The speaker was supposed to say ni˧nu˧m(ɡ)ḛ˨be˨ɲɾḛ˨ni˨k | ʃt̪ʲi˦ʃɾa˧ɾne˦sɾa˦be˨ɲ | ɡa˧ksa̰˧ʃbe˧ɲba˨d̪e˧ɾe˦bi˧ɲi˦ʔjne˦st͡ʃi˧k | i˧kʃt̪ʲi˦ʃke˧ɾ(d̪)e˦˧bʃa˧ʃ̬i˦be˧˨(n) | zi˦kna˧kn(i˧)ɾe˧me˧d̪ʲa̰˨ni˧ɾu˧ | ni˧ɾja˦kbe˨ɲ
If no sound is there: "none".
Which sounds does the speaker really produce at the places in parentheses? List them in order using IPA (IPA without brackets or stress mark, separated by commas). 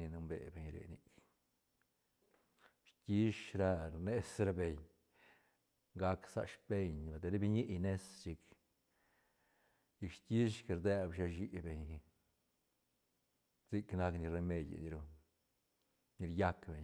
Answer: b, d̪, ɲ, i˧